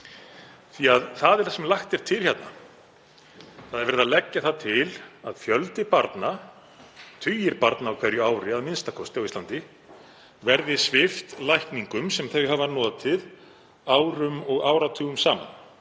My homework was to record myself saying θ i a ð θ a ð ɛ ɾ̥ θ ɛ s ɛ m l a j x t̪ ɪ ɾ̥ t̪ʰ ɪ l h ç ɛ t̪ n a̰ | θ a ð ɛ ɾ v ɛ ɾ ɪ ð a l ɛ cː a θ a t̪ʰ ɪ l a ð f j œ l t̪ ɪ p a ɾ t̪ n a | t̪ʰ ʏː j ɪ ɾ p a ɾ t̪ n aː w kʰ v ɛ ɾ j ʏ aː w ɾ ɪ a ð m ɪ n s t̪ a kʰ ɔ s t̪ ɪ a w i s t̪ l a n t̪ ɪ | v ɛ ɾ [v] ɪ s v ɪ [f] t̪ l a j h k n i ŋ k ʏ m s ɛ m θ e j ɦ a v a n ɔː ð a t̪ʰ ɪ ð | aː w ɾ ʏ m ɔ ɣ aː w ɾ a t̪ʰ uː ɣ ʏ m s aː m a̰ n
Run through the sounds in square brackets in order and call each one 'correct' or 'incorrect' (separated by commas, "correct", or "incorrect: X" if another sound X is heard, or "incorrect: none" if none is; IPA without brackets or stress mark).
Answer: incorrect: ð, correct